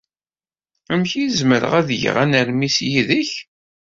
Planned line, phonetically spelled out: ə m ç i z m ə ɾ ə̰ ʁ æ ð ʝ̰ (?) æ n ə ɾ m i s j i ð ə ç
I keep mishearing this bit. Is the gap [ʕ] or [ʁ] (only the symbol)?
ʁ